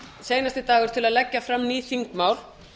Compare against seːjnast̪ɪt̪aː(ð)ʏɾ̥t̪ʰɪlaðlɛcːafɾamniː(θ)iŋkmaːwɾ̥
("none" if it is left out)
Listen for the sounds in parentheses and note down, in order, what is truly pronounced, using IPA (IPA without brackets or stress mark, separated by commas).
ɣ, θ